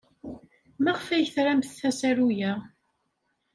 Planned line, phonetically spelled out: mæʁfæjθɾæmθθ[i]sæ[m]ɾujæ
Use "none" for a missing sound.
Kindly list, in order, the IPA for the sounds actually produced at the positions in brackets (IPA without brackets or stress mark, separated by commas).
æ, none